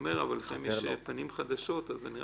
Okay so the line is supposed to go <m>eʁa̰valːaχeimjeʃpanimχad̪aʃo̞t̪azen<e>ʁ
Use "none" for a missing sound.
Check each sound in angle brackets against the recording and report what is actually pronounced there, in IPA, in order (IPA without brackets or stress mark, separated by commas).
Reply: m, i